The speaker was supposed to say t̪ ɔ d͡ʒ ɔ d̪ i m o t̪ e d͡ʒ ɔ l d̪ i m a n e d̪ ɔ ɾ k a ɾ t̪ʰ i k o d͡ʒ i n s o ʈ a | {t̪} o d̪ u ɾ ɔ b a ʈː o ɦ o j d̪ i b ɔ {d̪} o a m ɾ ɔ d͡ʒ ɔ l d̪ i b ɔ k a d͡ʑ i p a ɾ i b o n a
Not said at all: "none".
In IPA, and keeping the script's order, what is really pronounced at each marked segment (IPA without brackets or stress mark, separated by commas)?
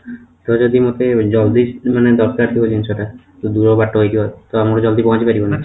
t̪, t̪